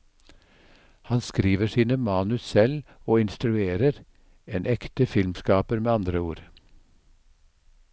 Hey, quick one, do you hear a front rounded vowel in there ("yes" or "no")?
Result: no